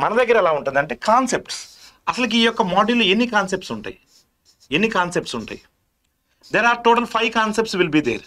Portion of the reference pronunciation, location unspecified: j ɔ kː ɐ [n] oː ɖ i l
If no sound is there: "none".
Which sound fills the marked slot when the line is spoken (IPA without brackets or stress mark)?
m